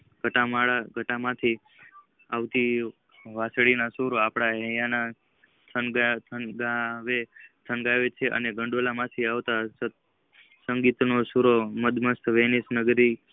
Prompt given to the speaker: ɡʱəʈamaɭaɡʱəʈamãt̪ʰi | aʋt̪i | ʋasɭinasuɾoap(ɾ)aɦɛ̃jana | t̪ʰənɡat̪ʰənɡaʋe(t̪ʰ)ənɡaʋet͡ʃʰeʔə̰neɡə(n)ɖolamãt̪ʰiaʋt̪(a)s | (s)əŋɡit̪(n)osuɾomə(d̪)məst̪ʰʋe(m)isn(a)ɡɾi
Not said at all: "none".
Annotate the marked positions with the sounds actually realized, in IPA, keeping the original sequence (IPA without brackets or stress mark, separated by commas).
ɽ, t̪ʰ, ɳ, a, s, n, d̪, n, ə